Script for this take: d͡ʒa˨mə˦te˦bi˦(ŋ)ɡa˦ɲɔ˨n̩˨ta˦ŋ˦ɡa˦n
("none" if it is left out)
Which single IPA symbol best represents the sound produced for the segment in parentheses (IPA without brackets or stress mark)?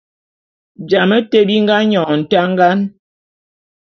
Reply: ŋ